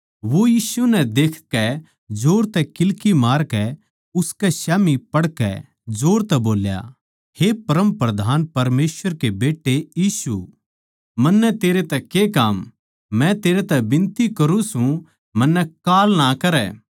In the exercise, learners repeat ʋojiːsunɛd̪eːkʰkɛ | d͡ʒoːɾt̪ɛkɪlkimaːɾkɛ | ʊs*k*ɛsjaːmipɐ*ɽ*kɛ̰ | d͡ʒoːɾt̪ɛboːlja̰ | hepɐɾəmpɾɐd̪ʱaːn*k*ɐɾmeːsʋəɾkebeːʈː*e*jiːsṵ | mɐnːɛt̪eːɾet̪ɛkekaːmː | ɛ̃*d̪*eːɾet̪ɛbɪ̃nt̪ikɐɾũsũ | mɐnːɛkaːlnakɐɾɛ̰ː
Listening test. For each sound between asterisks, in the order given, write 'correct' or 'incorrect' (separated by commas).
correct, correct, incorrect, correct, incorrect